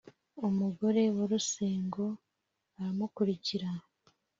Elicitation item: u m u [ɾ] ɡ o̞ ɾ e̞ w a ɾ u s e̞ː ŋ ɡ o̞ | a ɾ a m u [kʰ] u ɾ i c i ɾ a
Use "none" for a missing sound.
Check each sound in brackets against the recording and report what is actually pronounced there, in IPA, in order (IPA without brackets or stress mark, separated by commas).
none, k